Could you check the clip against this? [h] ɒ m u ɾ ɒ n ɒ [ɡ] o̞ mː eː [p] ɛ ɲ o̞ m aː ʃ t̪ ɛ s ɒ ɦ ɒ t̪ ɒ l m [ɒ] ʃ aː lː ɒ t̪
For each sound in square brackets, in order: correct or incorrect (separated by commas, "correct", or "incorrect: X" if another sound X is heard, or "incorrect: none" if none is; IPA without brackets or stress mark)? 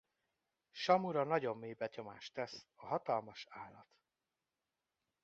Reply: incorrect: ʃ, incorrect: ɟ, incorrect: b, correct